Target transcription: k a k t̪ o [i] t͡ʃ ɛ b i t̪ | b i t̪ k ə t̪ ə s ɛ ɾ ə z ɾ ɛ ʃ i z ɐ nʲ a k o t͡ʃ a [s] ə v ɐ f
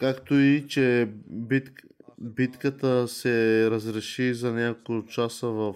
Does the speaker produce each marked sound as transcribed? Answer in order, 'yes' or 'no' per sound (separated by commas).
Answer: yes, yes